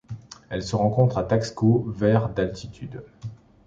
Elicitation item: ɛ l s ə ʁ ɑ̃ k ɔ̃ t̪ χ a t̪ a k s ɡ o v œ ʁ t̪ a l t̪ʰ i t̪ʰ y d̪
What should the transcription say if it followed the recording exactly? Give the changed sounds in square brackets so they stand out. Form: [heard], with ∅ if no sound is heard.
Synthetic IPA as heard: ɛ l s ə ʁ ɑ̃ k ɔ̃ t̪ χ a t̪ a k s [k] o v [ɛ] ʁ [d̪] a l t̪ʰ i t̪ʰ y d̪